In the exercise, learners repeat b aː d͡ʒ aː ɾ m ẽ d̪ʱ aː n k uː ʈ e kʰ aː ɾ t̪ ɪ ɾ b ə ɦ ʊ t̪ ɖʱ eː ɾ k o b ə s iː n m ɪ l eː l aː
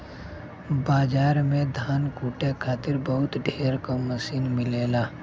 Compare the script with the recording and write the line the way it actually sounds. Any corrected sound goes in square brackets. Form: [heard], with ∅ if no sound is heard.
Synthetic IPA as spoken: b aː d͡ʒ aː ɾ m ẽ d̪ʱ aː n k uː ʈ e kʰ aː [∅] t̪ ɪ ɾ b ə ɦ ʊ t̪ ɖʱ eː ɾ k o [m] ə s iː n m ɪ l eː l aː